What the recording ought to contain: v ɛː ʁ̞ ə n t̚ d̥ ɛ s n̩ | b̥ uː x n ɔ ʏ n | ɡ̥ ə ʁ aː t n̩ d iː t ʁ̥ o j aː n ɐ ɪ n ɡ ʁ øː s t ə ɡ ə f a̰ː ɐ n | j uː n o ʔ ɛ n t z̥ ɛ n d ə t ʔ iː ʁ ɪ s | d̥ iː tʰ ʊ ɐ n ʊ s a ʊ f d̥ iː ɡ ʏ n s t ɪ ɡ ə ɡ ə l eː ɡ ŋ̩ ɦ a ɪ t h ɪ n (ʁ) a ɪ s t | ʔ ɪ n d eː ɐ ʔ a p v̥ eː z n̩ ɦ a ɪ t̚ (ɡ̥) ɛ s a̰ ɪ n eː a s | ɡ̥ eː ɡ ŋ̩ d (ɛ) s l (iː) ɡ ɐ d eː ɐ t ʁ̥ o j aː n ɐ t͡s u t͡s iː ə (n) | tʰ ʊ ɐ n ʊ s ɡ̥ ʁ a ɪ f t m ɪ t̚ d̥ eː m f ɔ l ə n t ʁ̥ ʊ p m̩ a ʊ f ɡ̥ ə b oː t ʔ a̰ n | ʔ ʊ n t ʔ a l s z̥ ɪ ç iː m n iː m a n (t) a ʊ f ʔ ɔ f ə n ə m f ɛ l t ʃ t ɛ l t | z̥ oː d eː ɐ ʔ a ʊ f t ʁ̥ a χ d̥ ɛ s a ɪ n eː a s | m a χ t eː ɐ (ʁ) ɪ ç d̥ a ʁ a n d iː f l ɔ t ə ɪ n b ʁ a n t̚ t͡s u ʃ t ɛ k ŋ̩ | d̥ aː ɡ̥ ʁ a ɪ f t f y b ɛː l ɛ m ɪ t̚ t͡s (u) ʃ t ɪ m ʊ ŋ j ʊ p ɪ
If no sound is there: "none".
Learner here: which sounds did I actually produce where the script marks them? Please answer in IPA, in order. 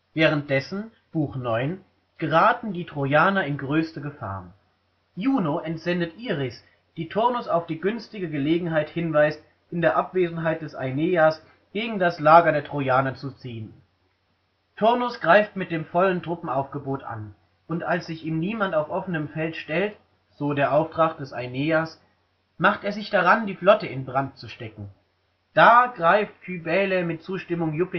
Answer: v, d̥, a, aː, n, t, z, uː

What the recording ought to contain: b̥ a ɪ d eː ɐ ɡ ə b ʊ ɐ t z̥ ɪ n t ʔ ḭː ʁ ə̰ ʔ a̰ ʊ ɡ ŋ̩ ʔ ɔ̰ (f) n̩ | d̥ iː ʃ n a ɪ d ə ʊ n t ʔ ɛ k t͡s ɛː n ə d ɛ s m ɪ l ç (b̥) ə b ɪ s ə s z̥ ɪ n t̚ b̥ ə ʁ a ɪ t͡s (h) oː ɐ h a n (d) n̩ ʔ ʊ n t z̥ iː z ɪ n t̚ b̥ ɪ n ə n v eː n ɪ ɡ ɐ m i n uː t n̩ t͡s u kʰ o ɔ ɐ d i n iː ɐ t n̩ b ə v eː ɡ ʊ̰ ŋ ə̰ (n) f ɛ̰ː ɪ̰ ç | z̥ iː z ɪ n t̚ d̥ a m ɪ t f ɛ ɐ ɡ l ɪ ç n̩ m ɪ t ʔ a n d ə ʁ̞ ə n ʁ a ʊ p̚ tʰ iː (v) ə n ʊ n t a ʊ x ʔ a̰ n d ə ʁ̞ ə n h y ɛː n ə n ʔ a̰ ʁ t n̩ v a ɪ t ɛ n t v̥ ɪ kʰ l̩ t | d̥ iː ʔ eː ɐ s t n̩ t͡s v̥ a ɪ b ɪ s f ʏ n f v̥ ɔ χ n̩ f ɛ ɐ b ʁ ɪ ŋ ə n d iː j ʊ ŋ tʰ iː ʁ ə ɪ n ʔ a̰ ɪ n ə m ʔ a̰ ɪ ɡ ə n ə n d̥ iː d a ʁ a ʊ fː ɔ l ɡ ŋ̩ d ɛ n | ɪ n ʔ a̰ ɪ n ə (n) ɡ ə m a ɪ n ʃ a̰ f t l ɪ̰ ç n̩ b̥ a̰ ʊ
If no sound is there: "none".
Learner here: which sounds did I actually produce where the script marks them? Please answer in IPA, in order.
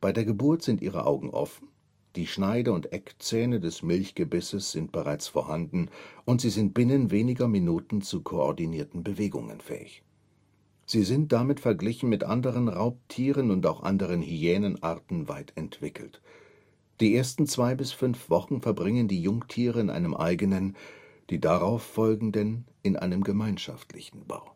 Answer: f, ɡ̥, f, d, n, ʁ, m

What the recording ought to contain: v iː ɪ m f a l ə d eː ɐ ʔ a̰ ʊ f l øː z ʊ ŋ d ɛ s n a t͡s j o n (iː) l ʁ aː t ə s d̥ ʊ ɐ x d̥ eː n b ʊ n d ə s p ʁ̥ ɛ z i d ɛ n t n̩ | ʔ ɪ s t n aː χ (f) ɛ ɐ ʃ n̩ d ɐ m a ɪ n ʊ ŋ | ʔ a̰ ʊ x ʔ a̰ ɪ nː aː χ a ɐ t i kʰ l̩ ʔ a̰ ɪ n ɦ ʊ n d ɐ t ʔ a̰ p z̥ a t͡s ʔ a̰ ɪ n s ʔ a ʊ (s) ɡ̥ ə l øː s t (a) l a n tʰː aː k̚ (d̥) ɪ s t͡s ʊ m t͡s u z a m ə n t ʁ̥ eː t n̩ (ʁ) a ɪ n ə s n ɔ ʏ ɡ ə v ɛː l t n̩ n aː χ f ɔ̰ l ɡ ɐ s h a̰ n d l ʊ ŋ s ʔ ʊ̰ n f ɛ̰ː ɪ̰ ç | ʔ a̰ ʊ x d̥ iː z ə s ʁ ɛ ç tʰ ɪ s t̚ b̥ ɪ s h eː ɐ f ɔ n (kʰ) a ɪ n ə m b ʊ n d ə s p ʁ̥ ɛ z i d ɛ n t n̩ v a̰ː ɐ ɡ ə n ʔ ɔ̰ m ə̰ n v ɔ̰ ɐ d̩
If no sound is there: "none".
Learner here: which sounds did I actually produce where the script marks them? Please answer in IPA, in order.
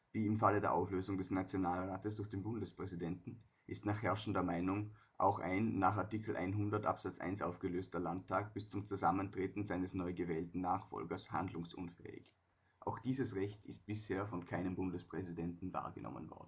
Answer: aː, h, f, ɐ, b̥, z, kʰ

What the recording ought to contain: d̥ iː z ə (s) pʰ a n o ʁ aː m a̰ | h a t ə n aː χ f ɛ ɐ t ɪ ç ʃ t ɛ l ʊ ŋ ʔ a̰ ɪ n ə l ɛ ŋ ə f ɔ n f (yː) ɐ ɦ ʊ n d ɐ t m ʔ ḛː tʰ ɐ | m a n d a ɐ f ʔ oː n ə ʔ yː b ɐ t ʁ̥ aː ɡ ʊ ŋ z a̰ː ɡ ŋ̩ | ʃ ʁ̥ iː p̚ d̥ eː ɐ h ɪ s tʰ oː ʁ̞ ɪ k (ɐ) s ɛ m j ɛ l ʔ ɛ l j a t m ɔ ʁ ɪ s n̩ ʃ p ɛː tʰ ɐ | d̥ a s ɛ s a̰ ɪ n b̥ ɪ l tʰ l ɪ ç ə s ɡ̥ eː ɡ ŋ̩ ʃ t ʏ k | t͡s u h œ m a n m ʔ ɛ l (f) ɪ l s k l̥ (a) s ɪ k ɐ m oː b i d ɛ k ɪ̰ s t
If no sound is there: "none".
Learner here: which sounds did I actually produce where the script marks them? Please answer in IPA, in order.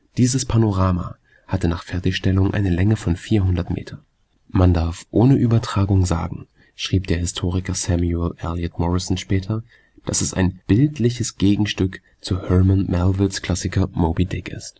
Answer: s, iː, ɐ, v, a

